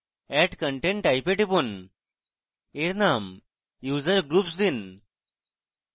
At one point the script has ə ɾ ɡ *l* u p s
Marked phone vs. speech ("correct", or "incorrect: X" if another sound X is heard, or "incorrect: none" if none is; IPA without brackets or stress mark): incorrect: ɾ